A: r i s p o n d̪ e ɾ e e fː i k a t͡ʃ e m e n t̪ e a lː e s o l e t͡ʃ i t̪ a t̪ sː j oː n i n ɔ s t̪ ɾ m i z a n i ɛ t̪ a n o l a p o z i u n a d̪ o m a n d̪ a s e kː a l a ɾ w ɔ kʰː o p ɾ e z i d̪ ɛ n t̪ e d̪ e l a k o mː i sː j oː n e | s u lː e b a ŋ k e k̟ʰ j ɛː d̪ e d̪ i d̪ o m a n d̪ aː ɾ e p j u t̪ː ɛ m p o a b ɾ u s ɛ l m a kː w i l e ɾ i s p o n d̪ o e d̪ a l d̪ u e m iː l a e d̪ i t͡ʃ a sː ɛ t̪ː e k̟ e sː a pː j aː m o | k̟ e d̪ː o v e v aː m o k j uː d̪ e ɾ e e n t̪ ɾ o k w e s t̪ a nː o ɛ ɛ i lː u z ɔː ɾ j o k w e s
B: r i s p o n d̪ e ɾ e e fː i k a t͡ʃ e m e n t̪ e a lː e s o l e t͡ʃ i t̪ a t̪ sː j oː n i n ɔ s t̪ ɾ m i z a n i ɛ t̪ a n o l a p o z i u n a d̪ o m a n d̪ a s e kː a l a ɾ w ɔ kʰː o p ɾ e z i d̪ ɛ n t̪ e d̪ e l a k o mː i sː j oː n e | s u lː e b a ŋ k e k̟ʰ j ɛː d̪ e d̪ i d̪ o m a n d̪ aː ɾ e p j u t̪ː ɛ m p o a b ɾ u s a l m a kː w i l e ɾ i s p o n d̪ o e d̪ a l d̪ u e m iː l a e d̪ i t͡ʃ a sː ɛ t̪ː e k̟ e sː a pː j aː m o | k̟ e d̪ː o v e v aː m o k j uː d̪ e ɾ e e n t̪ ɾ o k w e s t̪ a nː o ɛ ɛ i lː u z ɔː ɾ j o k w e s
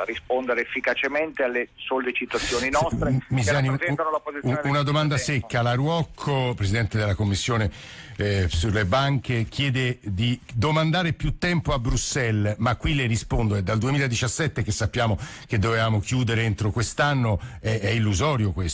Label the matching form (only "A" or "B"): A